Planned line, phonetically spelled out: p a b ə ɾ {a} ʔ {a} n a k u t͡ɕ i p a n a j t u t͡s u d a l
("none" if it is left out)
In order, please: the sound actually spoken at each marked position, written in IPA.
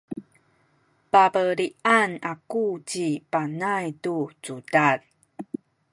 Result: i, a

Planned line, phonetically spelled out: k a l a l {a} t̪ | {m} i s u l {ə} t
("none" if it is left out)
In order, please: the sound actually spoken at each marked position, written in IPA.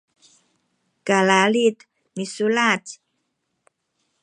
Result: i, m, a

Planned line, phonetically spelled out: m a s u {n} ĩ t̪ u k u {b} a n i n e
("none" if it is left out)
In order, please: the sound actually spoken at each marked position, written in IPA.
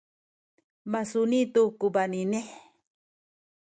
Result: n, b

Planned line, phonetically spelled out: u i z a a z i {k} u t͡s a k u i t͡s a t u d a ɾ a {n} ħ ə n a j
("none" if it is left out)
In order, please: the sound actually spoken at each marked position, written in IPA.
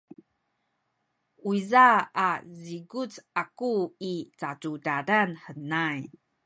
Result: ɡ, n

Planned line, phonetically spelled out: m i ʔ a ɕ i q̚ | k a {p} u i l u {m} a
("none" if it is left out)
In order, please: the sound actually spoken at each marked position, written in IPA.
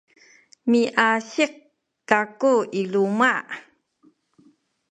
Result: k, m

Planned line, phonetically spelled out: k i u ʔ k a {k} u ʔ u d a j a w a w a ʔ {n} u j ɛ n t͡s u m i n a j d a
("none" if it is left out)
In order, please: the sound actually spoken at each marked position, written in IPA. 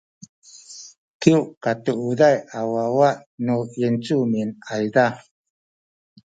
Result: t, n

